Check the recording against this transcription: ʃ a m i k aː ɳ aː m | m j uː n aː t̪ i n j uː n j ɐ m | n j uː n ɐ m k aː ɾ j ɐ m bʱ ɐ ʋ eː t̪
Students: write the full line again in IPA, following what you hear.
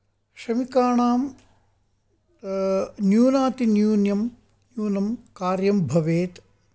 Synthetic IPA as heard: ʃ ɐ m i k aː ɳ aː m | n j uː n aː t̪ i n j uː n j ɐ m | n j uː n ɐ m k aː ɾ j ɐ m bʱ ɐ ʋ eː t̪